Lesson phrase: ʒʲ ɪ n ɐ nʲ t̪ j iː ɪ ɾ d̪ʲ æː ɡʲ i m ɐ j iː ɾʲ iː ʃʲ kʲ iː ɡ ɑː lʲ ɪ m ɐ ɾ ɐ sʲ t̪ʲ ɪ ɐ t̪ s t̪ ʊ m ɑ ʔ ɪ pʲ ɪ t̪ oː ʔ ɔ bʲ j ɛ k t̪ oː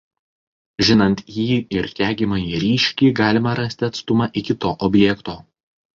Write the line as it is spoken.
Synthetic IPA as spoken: ʒʲ ɪ n ɐ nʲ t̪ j iː ɪ ɾ t̪ʲ æː ɡʲ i m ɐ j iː ɾʲ iː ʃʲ kʲ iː ɡ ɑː lʲ ɪ m ɐ ɾ ɐ sʲ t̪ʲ ɪ ɐ t̪ s t̪ ʊ m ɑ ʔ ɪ kʲ ɪ t̪ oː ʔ ɔ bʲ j ɛ k t̪ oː